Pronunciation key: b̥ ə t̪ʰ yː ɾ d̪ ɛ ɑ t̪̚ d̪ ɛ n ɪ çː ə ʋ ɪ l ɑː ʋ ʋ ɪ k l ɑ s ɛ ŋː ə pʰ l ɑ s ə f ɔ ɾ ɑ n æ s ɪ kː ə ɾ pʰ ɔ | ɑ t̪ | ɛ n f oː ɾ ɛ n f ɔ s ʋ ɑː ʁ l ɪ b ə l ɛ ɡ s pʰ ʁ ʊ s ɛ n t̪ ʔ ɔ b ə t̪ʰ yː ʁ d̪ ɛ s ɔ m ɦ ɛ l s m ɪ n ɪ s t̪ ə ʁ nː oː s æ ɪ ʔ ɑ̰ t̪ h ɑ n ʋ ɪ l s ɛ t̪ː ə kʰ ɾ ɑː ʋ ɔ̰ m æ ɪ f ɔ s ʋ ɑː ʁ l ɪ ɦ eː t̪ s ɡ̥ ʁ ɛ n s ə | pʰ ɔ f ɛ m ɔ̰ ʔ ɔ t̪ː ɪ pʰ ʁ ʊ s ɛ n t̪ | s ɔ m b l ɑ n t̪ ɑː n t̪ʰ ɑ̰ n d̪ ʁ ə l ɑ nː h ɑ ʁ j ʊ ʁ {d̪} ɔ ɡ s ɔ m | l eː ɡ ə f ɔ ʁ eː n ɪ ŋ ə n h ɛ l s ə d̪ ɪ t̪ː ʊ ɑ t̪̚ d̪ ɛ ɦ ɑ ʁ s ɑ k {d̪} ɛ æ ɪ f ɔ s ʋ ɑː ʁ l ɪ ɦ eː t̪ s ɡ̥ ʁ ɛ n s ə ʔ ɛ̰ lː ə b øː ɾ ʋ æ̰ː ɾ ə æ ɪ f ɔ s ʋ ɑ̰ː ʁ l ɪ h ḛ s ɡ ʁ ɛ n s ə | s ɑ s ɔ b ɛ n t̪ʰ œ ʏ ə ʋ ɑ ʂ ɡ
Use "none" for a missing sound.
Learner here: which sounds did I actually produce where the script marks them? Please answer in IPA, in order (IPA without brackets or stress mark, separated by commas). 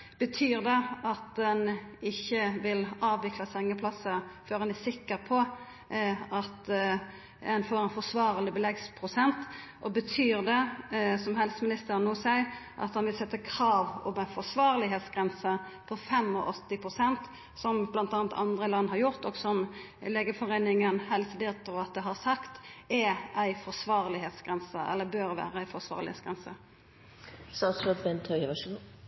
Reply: t̪, t̪